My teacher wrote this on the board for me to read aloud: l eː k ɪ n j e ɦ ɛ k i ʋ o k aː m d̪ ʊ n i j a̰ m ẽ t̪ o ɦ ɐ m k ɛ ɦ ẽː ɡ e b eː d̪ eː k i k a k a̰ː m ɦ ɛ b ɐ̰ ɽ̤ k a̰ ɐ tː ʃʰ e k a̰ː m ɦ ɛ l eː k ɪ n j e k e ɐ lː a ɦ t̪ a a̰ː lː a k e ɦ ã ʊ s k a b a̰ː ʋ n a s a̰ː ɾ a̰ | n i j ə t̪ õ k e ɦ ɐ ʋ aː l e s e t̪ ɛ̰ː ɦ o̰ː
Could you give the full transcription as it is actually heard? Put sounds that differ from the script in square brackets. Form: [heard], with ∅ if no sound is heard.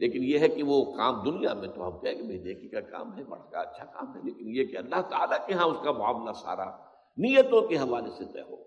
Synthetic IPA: l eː k ɪ n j e ɦ ɛ k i ʋ o k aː m d̪ ʊ n i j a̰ m ẽ t̪ o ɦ ɐ m k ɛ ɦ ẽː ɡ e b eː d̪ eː k i k a k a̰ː m ɦ ɛ b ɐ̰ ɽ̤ k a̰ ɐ tː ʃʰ [a] k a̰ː m ɦ ɛ l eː k ɪ n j e k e ɐ lː a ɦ t̪ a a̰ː [l] a k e ɦ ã ʊ s k a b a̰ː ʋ n a s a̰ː ɾ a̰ | n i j ə t̪ õ k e ɦ ɐ ʋ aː l e s e t̪ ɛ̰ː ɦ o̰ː